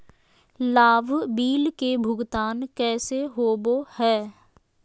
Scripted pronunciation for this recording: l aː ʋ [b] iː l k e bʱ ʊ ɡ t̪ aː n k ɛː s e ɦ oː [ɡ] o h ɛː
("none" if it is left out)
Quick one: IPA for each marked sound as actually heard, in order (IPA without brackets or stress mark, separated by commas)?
b, b